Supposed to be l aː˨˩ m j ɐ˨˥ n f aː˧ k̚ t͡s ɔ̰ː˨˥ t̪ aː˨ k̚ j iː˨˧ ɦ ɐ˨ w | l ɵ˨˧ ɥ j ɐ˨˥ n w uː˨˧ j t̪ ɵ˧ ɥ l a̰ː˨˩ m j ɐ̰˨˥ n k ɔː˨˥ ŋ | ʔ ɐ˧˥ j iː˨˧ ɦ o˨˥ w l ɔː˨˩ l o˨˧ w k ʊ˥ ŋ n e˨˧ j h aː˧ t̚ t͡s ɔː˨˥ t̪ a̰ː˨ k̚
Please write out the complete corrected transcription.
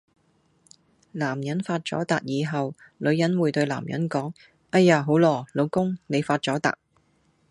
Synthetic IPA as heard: l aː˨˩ m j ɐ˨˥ n f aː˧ t̚ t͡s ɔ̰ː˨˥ t̪ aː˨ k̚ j iː˨˧ ɦ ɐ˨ w | l ɵ˨˧ ɥ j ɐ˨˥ n w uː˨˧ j t̪ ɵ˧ ɥ l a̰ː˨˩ m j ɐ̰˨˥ n k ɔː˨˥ ŋ | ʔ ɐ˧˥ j aː˨˧ ɦ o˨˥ w l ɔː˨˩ l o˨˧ w k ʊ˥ ŋ n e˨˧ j f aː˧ t̚ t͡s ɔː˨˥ t̪ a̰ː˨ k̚